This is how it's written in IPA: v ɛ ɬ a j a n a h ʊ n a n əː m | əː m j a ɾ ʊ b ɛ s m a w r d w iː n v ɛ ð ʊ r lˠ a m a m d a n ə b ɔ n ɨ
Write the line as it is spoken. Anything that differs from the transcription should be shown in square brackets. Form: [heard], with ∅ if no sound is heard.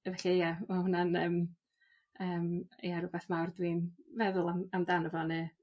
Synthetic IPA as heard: v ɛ ɬ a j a [m] a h ʊ n a n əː m | əː m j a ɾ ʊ b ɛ [θ] m a w r d w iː n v ɛ ð ʊ [∅] lˠ a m a m d a n ə [v] ɔ n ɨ

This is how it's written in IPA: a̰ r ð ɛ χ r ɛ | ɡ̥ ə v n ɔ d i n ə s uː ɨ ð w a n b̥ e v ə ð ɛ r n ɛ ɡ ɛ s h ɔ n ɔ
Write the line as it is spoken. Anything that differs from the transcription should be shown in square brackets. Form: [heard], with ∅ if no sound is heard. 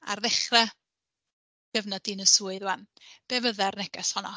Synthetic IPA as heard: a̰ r ð ɛ χ r ɛ | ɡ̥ ə v n ɔ d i n ə s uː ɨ ð w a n b̥ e v ə ð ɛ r n ɛ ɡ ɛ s h ɔ n ɔ

